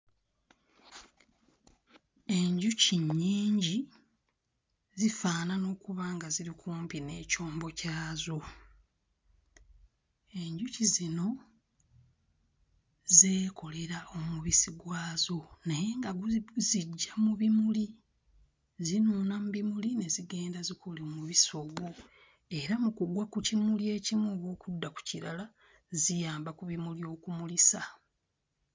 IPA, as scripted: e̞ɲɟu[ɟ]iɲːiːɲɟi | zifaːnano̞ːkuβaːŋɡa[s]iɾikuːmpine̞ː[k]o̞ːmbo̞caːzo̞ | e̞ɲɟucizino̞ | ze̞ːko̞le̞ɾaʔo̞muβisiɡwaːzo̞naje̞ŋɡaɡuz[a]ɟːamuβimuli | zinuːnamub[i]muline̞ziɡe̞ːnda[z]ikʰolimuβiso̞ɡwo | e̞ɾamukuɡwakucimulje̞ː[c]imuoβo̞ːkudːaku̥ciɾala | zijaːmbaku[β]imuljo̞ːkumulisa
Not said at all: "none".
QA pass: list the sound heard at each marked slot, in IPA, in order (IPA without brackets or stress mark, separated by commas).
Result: c, z, c, i, i, z, c, β